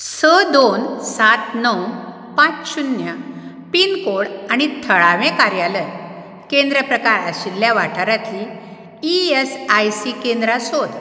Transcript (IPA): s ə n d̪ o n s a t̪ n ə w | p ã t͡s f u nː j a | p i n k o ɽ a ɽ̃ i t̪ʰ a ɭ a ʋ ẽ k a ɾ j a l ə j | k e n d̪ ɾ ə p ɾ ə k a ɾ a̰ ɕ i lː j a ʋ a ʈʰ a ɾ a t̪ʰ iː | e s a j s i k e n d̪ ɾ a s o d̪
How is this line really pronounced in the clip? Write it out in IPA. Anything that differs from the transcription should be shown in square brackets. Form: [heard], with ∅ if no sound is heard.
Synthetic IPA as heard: s ə [∅] d̪ o n s a t̪ n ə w | p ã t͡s [ɕ] u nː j a | p i n k o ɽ a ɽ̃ i t̪ʰ [ə] ɭ a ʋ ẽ k a ɾ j a l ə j | k e n d̪ ɾ ə p ɾ ə k a ɾ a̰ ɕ i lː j a ʋ a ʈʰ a ɾ a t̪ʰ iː | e s a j s i k e n d̪ ɾ a s o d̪